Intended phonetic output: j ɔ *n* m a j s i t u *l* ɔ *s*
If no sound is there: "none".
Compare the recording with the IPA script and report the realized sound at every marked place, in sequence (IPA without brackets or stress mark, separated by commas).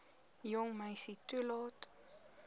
ŋ, l, t